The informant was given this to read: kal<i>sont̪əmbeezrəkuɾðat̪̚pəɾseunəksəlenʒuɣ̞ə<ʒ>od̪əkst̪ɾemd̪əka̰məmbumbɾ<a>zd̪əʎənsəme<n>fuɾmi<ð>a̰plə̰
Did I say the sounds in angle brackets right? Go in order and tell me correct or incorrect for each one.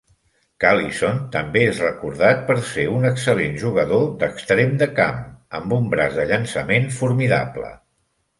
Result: correct, incorrect: ð, correct, correct, correct

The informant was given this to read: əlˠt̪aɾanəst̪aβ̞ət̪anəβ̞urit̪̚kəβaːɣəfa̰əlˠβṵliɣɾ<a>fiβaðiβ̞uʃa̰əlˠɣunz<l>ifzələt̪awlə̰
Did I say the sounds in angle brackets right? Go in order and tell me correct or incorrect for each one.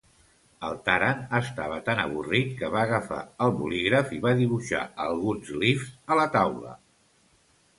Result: incorrect: ə, correct

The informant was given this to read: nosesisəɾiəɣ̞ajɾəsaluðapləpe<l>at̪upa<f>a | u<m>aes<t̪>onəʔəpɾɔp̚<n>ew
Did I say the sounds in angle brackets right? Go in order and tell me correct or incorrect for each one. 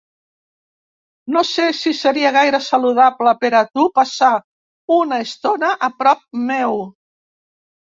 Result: incorrect: ɾ, incorrect: s, incorrect: n, correct, incorrect: m

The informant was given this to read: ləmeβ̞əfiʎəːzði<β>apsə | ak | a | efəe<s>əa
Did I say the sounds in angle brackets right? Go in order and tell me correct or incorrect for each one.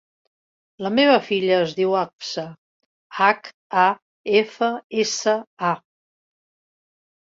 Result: incorrect: w, correct

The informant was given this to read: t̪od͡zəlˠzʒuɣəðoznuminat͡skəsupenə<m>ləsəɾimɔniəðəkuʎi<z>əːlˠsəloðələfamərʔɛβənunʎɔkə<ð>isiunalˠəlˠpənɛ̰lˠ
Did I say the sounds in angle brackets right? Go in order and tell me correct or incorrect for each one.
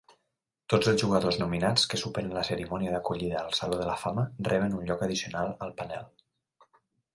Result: incorrect: n, incorrect: ð, correct

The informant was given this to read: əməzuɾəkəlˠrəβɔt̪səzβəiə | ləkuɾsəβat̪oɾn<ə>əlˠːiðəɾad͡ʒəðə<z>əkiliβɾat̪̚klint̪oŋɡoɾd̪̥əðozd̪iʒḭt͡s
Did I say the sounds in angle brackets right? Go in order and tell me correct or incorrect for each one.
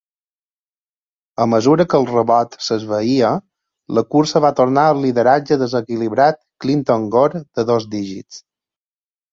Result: incorrect: a, correct

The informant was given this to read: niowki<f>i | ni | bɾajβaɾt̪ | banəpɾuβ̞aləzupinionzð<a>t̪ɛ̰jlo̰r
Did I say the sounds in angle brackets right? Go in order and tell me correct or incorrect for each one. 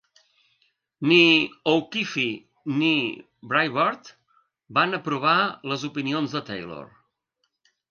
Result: correct, incorrect: ə

